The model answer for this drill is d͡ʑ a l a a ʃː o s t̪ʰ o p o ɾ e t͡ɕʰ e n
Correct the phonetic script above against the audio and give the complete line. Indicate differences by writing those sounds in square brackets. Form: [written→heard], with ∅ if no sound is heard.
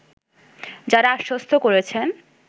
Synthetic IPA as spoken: d͡ʑ a [l→ɾ] a a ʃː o s t̪ʰ o [p→k] o ɾ e t͡ɕʰ e n